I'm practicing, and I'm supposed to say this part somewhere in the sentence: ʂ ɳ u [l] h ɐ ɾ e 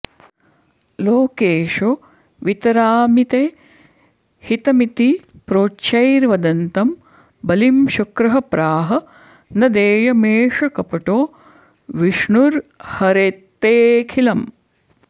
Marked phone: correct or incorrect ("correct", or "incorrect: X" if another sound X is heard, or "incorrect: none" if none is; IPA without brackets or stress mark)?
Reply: incorrect: ɾ